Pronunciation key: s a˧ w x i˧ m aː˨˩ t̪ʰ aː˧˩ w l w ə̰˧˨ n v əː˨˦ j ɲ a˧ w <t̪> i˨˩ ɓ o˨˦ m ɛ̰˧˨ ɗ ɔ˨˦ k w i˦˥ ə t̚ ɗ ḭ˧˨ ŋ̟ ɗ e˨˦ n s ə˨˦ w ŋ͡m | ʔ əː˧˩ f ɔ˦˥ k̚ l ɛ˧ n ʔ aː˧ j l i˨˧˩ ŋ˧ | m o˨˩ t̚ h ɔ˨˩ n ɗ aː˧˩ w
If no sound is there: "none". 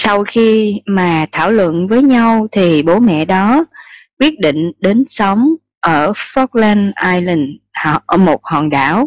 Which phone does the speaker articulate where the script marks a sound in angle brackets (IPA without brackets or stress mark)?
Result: t̪ʰ